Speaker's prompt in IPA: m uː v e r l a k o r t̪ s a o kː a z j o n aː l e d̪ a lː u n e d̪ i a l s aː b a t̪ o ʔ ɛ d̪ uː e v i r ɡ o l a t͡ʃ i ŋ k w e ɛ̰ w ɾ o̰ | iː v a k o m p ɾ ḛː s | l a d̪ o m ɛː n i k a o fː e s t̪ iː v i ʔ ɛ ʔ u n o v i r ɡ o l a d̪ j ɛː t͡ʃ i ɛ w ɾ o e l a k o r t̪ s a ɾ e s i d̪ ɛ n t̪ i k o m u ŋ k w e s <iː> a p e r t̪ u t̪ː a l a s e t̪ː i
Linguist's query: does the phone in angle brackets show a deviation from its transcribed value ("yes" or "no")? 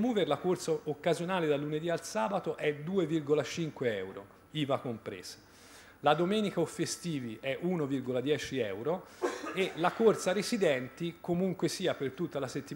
no